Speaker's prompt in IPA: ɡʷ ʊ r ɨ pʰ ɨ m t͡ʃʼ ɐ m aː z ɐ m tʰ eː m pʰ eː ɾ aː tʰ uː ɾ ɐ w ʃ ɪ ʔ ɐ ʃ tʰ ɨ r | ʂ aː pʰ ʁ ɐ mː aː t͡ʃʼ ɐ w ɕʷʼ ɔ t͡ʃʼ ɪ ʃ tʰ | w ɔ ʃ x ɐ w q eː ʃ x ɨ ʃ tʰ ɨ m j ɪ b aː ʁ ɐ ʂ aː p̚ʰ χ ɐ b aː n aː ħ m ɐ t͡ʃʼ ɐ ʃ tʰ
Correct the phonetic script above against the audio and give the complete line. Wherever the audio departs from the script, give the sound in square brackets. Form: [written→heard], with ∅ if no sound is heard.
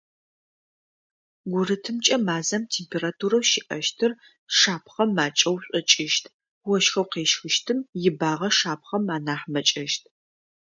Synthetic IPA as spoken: ɡʷ ʊ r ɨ [pʰ→tʰ] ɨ m t͡ʃʼ ɐ m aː z ɐ m tʰ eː m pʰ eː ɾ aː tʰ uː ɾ ɐ w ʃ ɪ ʔ ɐ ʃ tʰ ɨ r | ʂ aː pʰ [ʁ→χ] ɐ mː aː t͡ʃʼ ɐ w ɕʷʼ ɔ t͡ʃʼ ɪ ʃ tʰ | w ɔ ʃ x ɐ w q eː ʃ x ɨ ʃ tʰ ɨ m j ɪ b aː ʁ ɐ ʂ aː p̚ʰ χ ɐ [b→m] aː n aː ħ m ɐ t͡ʃʼ ɐ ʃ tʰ